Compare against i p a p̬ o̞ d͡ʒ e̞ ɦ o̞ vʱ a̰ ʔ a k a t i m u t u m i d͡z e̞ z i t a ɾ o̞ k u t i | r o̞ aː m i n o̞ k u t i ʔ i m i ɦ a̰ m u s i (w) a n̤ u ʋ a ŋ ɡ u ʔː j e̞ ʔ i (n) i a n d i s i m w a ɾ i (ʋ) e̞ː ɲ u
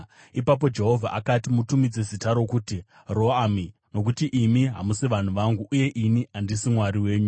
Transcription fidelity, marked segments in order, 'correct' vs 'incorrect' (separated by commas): incorrect, correct, incorrect